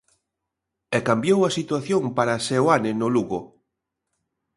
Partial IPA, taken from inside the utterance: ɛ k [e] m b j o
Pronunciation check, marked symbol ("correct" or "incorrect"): incorrect